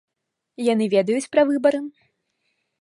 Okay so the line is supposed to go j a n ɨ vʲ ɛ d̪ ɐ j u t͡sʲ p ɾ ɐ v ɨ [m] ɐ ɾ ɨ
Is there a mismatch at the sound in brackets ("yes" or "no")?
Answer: yes